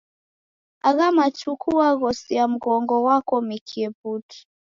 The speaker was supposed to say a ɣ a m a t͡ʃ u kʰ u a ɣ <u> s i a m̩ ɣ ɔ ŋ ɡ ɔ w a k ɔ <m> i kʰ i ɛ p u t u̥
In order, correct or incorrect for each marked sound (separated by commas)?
incorrect, correct